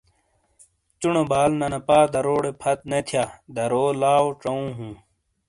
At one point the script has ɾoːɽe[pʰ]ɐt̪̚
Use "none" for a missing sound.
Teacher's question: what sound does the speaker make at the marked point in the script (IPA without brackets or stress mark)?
pʰ